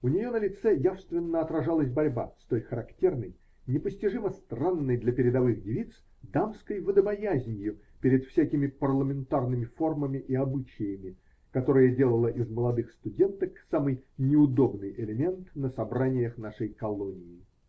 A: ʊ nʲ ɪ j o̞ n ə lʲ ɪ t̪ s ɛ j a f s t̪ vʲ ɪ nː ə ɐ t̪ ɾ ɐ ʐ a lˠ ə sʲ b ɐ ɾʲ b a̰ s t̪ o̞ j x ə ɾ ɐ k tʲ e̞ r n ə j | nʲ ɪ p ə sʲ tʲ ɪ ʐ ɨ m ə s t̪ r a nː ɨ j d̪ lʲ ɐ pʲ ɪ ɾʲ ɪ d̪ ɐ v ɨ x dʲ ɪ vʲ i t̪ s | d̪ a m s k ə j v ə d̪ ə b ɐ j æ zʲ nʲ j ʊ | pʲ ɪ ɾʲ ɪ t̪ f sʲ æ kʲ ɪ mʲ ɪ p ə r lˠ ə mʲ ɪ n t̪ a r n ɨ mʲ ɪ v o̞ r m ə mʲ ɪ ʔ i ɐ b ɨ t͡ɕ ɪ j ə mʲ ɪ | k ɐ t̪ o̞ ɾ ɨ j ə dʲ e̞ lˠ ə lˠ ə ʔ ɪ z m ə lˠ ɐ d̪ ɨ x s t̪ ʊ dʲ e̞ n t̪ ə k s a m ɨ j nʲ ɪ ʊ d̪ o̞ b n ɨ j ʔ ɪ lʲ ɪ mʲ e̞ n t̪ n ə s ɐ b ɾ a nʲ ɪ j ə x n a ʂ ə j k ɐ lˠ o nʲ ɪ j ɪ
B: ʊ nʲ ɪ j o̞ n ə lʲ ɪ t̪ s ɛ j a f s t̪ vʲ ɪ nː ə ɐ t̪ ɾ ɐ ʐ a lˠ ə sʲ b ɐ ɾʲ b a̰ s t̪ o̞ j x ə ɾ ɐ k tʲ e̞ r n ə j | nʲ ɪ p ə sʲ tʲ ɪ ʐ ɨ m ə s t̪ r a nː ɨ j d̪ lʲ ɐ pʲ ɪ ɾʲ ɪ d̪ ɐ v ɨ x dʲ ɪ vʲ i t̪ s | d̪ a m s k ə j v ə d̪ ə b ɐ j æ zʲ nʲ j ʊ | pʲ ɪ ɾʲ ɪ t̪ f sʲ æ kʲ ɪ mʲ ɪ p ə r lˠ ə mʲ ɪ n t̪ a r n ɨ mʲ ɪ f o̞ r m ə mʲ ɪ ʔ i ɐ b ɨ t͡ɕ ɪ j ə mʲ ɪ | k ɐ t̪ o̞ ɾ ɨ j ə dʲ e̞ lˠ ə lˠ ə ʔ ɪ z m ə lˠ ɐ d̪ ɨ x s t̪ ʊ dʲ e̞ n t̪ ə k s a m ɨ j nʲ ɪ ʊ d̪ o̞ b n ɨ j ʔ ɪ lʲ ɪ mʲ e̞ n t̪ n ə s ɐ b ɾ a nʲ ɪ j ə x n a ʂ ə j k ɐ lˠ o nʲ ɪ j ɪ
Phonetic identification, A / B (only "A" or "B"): B